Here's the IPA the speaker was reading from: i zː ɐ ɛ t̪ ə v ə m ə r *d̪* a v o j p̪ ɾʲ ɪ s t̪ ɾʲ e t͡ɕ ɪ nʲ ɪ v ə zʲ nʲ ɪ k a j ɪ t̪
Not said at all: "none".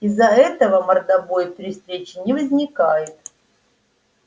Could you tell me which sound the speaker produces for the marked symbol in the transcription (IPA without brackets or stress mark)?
d̪